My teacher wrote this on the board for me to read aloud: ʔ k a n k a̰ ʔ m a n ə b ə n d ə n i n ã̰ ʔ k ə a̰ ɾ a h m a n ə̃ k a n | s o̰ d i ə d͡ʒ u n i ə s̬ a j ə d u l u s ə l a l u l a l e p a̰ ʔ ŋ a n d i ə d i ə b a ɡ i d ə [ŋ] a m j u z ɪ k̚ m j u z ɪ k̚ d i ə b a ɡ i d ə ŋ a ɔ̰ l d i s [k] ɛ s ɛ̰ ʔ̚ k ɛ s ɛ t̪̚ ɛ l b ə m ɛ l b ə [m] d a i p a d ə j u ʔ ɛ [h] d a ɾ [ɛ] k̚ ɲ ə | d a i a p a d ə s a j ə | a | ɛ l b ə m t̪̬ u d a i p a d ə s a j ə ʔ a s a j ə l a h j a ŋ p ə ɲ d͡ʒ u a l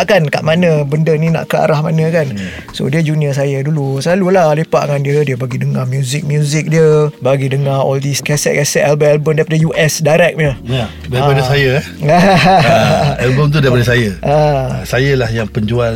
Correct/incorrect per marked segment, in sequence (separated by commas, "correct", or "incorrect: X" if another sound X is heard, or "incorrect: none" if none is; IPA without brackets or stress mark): correct, correct, correct, incorrect: s, correct